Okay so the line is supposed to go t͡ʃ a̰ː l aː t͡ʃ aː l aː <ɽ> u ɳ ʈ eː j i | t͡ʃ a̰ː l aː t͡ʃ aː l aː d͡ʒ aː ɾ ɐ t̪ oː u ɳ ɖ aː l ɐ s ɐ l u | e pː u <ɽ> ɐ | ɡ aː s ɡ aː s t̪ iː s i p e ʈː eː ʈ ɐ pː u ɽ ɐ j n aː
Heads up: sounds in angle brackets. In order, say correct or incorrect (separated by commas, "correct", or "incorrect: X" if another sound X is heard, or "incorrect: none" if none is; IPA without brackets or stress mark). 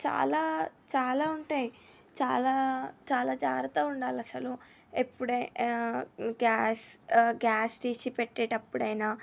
incorrect: none, correct